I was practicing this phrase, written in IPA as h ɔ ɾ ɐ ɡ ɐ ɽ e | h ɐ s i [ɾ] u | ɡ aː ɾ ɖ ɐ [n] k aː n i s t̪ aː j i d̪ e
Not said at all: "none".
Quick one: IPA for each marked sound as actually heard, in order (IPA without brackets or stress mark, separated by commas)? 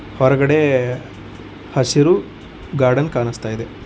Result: ɾ, n